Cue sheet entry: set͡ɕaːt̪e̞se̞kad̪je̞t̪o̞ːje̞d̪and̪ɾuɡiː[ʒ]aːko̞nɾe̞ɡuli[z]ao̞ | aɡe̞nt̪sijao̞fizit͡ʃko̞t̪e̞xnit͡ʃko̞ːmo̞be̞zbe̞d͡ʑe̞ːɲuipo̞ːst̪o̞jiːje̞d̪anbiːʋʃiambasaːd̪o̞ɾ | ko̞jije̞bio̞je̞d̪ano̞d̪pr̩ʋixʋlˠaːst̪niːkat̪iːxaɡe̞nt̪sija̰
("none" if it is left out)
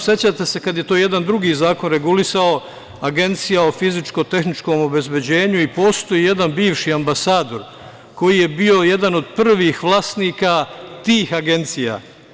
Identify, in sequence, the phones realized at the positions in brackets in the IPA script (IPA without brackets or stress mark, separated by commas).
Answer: z, s